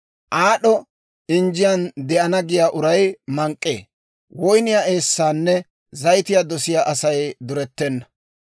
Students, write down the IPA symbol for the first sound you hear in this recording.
ʔ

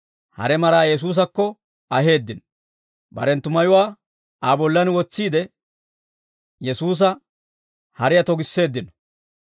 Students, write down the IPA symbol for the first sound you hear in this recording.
h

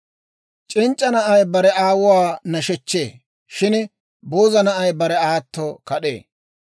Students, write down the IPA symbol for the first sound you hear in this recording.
t͡ʃʼ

